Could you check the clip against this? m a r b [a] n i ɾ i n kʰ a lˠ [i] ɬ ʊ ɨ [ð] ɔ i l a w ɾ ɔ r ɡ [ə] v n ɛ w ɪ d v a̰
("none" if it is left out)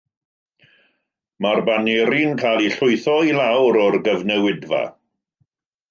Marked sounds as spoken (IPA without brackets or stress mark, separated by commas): a, i, θ, ə